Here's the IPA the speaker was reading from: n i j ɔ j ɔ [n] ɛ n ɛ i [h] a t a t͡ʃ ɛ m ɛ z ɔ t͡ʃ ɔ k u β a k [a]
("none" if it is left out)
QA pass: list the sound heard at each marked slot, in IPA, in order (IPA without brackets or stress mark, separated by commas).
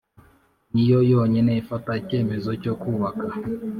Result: ɲ, f, a